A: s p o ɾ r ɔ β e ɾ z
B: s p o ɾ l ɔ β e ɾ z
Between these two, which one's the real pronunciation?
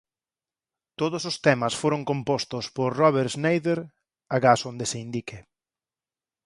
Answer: A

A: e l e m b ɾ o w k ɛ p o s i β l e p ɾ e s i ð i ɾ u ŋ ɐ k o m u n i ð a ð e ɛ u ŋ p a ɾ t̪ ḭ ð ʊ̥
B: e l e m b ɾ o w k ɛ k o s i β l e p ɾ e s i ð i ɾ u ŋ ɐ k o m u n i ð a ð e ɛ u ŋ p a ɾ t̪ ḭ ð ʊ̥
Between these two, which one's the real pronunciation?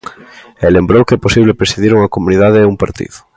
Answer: A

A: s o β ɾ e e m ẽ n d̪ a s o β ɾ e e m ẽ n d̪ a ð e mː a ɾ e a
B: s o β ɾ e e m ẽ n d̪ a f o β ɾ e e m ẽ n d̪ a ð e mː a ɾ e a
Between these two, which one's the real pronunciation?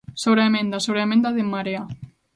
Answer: A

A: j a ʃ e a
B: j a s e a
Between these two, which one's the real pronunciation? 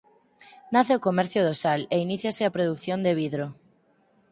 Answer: B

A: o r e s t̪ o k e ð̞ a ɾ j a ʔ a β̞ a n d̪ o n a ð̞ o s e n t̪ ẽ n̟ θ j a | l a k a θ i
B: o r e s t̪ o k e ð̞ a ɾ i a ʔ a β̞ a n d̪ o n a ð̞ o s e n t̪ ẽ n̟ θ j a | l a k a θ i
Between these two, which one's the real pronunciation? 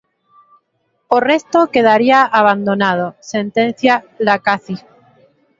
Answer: B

